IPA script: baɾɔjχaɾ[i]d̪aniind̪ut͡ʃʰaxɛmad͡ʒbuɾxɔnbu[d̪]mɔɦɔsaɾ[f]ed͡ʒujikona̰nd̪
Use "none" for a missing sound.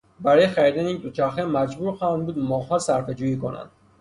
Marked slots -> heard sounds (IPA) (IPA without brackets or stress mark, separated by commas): i, d̪, f